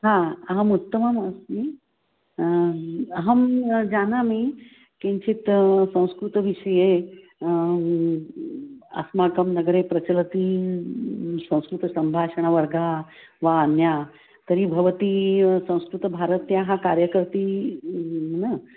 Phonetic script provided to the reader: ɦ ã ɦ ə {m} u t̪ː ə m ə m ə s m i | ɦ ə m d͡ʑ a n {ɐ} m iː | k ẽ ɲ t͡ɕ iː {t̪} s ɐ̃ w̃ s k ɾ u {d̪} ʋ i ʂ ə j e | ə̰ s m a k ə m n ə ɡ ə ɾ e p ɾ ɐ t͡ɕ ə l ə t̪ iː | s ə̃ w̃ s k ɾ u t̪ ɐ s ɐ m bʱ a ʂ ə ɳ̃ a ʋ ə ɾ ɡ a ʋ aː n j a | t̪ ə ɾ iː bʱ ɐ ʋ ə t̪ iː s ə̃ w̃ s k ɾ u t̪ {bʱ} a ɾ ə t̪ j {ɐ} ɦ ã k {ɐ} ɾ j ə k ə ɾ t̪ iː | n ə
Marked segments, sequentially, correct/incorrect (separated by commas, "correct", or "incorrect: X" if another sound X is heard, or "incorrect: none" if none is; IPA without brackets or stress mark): correct, incorrect: a, correct, incorrect: t̪, correct, incorrect: a, incorrect: a